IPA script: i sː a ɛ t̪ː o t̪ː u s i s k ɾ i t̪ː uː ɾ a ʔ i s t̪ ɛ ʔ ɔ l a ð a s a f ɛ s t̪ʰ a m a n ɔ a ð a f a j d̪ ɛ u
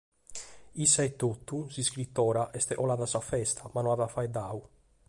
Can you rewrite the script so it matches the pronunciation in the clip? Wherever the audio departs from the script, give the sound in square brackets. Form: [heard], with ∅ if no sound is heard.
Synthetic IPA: i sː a ɛ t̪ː o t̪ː u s i s k ɾ i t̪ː [ɔː] ɾ a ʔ [ɛ] s t̪ ɛ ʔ ɔ l a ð a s a f ɛ s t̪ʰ a m a n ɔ a ð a f a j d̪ [a] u